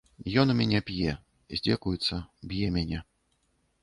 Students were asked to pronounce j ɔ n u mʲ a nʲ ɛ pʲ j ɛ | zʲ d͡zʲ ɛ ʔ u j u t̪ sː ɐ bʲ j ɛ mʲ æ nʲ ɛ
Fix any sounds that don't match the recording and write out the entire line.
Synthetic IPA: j ɔ n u mʲ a nʲ ɛ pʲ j ɛ | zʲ d͡zʲ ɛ k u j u t̪ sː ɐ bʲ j ɛ mʲ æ nʲ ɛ